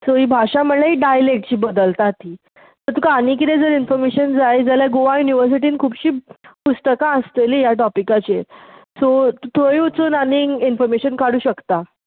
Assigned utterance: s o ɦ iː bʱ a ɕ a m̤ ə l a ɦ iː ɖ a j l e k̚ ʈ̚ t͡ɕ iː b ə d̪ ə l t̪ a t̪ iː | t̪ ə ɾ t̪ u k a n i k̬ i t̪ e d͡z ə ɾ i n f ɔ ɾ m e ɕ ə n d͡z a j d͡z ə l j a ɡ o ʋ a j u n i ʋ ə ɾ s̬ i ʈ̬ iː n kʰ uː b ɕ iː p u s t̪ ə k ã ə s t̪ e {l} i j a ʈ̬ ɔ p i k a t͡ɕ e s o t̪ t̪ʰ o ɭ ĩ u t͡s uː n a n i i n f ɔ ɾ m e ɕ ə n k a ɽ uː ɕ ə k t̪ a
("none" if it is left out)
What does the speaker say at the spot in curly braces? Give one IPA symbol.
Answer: l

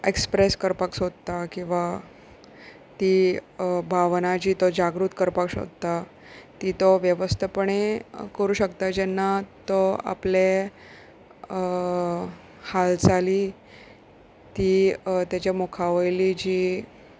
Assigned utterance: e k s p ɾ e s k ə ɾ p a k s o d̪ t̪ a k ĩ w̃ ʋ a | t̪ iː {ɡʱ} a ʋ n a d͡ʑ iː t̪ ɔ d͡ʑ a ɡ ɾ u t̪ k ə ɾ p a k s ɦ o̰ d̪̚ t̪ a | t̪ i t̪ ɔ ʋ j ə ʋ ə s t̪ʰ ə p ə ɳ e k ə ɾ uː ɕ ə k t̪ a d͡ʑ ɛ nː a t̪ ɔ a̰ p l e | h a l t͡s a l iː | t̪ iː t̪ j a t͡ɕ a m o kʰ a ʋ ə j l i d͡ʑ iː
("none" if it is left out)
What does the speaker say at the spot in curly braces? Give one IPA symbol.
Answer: bʱ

